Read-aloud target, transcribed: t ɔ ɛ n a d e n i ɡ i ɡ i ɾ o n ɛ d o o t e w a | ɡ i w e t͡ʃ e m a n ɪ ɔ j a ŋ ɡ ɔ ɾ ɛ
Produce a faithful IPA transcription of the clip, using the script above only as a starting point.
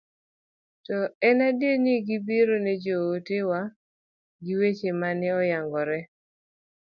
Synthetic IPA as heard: t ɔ ɛ n a d e n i ɡ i b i ɾ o n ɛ d͡ʒ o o t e w a | ɡ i w e t͡ʃ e m a n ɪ ɔ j a ŋ ɡ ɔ ɾ ɛ